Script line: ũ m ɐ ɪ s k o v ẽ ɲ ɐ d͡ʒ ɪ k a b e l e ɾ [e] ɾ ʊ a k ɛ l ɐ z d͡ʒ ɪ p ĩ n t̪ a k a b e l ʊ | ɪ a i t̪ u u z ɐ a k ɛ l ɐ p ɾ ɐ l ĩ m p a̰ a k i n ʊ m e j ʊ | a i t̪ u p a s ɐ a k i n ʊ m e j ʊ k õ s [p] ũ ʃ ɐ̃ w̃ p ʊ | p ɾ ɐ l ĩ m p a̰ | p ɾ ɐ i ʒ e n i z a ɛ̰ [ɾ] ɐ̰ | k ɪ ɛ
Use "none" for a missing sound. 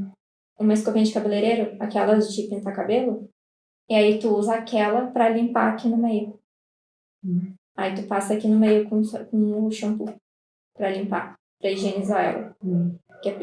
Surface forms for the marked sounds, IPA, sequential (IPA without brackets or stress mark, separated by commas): e, k, l